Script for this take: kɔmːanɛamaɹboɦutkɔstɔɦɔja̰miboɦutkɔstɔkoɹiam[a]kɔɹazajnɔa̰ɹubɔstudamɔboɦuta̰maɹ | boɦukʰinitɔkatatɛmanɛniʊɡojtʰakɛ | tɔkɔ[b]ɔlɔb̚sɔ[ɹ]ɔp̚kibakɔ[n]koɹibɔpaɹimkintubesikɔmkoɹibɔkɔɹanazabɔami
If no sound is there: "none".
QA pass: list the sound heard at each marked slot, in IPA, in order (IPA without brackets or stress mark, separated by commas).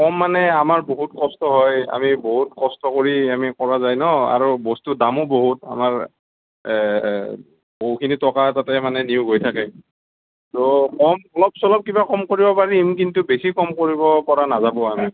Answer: i, m, l, m